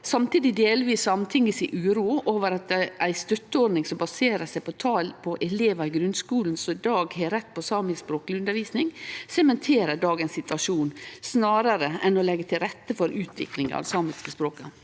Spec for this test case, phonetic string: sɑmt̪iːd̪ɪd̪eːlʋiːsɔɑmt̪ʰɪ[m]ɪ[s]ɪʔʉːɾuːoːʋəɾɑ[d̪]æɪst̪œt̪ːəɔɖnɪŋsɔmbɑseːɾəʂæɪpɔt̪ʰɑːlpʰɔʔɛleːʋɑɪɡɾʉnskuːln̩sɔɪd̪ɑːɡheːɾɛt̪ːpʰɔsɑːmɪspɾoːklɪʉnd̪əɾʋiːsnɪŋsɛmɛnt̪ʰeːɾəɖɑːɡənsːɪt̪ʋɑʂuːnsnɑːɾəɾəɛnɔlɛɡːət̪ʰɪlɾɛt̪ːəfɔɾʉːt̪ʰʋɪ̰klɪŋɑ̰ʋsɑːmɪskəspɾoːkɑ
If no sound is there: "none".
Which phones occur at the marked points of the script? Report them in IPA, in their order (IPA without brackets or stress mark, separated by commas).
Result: ŋ, s, t̪